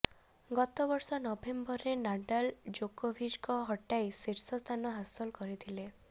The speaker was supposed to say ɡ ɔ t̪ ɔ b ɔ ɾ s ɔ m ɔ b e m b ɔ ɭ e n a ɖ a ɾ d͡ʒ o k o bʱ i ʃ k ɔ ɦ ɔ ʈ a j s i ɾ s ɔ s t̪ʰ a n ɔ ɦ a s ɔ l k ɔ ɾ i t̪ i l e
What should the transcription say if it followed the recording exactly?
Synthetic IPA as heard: ɡ ɔ t̪ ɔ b ɔ ɾ s ɔ n ɔ b e m b ɔ ɾ e n a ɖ a l d͡ʒ o k o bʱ i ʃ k ɔ ɦ ɔ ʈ a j s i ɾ s ɔ s t̪ʰ a n ɔ ɦ a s ɔ l k ɔ ɾ i t̪ʰ i l e

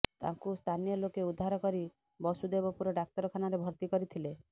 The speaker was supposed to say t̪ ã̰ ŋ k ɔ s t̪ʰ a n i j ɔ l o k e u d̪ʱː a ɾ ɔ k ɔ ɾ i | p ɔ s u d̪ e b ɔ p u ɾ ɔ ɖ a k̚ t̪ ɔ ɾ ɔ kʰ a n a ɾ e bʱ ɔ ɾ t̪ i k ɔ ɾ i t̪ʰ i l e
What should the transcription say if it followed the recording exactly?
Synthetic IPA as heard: t̪ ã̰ ŋ k u s t̪ʰ a n i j ɔ l o k e u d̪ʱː a ɾ ɔ k ɔ ɾ i | b ɔ s u d̪ e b ɔ p u ɾ ɔ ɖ a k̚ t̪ ɔ ɾ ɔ kʰ a n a ɾ e bʱ ɔ ɾ t̪ i k ɔ ɾ i t̪ʰ i l e

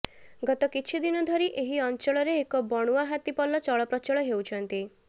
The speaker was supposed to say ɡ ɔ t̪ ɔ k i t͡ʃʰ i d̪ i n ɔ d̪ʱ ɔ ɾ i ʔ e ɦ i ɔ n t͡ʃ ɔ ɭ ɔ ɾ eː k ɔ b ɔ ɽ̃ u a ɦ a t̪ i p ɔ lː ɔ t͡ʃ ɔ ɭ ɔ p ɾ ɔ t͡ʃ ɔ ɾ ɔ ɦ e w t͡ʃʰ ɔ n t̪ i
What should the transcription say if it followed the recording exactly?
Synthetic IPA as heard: ɡ ɔ t̪ ɔ k i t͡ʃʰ i d̪ i n ɔ d̪ʱ ɔ ɾ i ʔ e ɦ i ɔ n t͡ʃ ɔ ɭ ɔ ɾ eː k ɔ b ɔ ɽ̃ u a ɦ a t̪ i p ɔ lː ɔ t͡ʃ ɔ ɭ ɔ p ɾ ɔ t͡ʃ ɔ ɭ ɔ ɦ e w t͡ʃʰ ɔ n t̪ i

